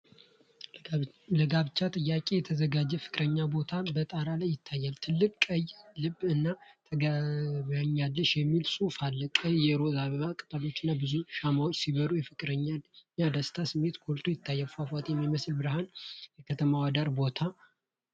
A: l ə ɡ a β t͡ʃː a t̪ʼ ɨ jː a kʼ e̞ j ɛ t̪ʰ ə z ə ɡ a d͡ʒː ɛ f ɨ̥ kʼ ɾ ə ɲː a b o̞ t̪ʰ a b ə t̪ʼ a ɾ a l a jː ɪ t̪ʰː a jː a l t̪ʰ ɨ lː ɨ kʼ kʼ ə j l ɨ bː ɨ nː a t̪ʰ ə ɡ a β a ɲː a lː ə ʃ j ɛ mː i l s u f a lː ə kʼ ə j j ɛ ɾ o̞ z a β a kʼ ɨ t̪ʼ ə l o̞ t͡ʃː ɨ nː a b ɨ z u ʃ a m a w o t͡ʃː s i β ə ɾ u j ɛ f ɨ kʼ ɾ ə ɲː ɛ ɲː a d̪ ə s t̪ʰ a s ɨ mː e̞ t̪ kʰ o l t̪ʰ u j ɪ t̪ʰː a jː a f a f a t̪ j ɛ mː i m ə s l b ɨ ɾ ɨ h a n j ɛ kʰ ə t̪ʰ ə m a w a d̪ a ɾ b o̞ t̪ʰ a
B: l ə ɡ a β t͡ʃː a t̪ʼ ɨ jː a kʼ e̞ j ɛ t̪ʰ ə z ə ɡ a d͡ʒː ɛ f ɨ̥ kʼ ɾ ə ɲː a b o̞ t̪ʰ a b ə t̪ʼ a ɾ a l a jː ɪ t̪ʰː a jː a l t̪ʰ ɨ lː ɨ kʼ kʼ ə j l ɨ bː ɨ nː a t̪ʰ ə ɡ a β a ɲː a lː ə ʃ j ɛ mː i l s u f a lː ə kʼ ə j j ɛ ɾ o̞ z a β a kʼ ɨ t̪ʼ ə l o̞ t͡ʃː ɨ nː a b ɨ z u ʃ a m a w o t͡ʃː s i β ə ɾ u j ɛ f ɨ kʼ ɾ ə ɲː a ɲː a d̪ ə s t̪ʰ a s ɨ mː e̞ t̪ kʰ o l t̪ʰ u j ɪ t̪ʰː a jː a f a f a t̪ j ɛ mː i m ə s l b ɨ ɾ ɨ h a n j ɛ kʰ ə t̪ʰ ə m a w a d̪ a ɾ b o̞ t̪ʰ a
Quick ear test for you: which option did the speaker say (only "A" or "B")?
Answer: B